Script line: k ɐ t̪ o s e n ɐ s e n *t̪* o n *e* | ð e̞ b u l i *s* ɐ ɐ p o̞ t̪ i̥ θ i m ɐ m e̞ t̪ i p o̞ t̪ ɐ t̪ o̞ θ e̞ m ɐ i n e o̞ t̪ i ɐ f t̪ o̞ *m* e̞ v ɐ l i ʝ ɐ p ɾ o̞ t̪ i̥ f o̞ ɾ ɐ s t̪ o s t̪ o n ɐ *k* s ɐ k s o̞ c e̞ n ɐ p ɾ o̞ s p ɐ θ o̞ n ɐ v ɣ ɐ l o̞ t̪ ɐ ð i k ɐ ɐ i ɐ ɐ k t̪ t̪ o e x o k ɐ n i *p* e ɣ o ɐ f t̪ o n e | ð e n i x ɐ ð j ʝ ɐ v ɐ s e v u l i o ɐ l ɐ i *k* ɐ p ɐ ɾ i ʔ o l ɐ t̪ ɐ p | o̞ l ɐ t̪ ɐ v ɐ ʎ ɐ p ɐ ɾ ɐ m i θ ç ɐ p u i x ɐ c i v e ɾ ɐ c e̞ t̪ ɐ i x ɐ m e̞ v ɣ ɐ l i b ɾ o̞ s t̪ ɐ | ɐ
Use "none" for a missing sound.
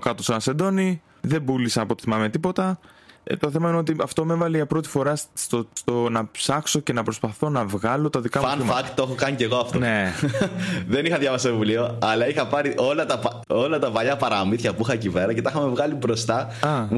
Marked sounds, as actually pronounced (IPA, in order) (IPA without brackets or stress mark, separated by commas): d̪, i, s, m, p, c, x